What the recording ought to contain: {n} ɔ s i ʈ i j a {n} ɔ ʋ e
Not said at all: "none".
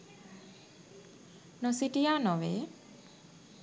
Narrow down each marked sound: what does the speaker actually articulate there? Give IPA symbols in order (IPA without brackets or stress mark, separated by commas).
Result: n, n